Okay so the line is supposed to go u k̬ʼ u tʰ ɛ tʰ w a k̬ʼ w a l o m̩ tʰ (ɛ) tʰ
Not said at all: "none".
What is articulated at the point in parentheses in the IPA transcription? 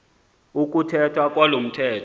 ɛː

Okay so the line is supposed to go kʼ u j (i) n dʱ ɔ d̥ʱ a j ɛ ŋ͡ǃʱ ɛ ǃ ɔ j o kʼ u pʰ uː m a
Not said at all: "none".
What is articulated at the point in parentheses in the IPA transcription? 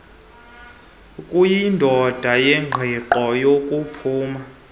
i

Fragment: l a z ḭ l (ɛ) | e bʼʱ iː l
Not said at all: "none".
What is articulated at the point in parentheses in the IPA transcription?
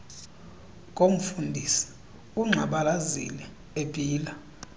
ɛ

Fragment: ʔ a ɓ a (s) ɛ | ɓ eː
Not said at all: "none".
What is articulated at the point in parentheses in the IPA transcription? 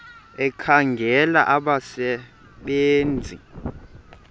s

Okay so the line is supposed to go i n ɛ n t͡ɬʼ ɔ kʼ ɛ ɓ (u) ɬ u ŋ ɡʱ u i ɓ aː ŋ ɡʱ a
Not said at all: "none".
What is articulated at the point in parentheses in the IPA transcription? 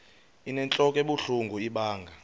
u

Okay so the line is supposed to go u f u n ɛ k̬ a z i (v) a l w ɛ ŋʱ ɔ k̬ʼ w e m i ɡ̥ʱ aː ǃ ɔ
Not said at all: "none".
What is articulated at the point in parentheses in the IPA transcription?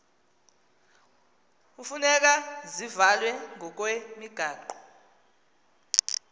v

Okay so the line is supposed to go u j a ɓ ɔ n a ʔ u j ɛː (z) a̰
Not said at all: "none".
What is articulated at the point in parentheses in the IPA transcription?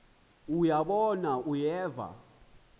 v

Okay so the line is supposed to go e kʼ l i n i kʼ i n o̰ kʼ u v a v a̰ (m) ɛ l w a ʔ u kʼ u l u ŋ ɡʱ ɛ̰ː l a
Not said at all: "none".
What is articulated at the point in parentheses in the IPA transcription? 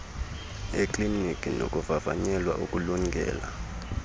ɲ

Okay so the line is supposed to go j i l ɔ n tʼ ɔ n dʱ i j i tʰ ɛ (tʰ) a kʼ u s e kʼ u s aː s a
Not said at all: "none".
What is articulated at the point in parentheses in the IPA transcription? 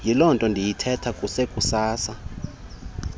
tʰ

